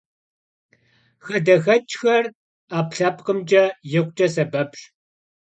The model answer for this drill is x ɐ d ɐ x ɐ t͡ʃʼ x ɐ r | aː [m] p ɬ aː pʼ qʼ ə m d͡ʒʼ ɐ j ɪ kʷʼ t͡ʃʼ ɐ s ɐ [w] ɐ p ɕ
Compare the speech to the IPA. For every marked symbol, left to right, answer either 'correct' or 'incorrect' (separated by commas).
incorrect, incorrect